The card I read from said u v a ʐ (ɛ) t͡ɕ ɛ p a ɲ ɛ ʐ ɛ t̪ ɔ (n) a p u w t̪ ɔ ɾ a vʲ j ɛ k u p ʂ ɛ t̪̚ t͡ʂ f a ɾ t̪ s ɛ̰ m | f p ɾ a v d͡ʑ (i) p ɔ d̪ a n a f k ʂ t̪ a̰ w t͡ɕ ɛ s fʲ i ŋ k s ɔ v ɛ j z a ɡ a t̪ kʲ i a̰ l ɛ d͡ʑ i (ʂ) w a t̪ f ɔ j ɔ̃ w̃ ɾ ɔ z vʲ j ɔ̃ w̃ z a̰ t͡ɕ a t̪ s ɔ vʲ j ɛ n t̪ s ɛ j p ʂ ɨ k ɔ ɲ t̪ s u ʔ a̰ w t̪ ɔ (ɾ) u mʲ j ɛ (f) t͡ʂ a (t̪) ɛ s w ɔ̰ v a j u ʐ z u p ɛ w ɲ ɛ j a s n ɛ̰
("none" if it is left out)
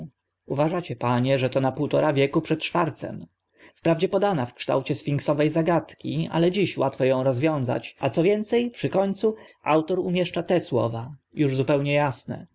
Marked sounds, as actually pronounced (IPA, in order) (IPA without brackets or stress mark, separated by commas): a, n, ɛ, ɕ, ɾ, ʂ, t̪